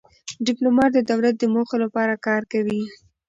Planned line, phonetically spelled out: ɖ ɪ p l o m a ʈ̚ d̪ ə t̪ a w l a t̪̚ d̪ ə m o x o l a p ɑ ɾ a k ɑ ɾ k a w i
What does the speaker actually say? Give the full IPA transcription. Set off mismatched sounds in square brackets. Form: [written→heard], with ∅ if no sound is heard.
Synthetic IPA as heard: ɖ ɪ p l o m [a→ɑ] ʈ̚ d̪ ə [t̪→d̪] a w l a t̪̚ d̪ ə m o x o l a p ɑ ɾ a k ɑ ɾ k a w i